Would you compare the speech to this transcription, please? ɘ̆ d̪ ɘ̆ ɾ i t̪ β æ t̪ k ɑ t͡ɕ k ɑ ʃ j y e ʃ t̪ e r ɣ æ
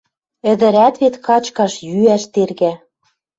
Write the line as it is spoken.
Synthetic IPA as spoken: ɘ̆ d̪ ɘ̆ ɾ æ t̪ β e t̪ k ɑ t͡ɕ k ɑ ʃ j y æ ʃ t̪ e r ɣ æ